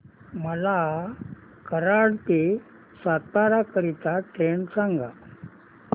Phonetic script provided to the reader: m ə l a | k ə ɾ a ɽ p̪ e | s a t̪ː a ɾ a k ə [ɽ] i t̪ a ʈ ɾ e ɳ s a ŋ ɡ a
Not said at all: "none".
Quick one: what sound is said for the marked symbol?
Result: ɾ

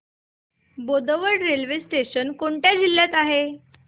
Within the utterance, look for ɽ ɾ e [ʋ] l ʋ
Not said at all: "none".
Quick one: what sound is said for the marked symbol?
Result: none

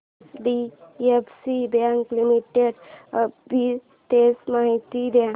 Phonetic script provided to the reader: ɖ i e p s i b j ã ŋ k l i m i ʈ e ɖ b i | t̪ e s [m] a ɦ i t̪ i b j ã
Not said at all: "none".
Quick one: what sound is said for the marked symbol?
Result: m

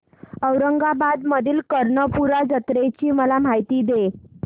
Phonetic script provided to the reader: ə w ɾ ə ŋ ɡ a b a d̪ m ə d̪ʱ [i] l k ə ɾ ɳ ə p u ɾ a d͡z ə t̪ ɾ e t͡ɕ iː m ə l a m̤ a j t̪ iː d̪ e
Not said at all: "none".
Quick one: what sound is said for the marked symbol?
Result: iː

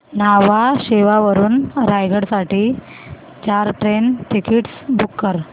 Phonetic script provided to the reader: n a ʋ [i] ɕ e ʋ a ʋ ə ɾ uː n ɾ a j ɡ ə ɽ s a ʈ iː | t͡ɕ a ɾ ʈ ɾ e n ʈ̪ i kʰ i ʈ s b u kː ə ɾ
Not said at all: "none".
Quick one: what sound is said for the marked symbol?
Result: a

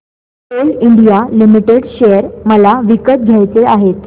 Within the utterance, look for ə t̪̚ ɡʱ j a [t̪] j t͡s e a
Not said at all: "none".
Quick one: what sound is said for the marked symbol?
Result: none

